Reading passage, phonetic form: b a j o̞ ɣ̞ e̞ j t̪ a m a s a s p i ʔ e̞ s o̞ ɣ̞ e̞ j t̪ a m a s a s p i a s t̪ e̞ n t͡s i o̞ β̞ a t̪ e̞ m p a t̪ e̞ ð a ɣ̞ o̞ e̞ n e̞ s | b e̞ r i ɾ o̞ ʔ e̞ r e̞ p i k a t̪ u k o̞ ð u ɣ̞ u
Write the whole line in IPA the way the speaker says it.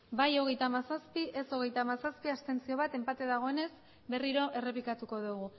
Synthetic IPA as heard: b a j o̞ ɣ̞ e̞ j t̪ a m a s a s p i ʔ e̞ s o̞ ɣ̞ e̞ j t̪ a m a s a s p i a s t̪ e̞ n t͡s i o̞ β̞ a t̪ e̞ m p a t̪ e̞ ð a ɣ̞ o̞ e̞ n e̞ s | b e̞ r i ɾ o̞ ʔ e̞ r e̞ p i k a t̪ u k o̞ ð u ɣ̞ u